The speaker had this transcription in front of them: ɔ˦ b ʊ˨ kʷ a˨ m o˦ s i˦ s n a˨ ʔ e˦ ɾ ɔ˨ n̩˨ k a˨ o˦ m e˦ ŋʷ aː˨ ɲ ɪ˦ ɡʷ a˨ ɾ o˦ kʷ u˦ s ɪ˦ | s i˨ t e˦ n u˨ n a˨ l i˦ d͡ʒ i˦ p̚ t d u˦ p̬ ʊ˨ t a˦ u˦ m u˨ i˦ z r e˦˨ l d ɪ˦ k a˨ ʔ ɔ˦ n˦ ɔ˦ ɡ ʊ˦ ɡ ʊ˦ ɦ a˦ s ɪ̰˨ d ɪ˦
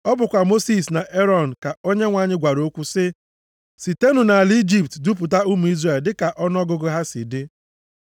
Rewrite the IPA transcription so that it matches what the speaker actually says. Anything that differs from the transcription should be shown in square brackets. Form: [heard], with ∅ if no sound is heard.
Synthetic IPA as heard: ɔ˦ b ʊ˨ kʷ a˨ m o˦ s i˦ s n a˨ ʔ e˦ ɾ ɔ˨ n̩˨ k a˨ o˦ [ɲ] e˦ ŋʷ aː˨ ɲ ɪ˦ ɡʷ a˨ ɾ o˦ kʷ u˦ s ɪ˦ | s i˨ t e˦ n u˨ n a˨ l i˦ d͡ʒ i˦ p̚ t d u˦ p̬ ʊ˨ t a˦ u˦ m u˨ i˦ z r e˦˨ l d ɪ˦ k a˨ ʔ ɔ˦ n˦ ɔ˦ ɡ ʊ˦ ɡ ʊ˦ ɦ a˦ s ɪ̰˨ d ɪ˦